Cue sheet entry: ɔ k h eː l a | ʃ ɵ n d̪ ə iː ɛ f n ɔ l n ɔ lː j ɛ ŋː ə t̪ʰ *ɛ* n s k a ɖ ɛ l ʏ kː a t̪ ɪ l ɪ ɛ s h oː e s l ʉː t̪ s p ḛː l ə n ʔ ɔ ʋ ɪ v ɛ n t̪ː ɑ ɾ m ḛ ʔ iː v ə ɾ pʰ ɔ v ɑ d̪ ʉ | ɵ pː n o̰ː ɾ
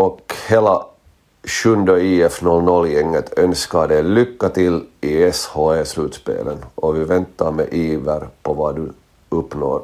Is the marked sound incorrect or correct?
incorrect